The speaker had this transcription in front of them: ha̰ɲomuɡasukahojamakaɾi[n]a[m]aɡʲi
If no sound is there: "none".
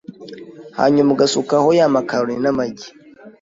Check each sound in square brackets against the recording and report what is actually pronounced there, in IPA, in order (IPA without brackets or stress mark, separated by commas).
n, m